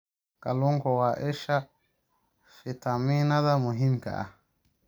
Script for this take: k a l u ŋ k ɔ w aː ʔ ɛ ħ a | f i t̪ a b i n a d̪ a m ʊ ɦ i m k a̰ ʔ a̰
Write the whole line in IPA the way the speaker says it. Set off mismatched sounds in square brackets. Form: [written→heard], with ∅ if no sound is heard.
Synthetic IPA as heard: k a l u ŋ k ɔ w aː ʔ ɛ [ħ→ʃ] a | f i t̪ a [b→m] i n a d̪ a m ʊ ɦ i m k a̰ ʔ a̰